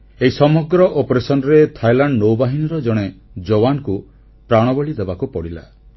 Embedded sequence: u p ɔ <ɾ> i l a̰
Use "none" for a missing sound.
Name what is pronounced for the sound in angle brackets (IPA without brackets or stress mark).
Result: ɽ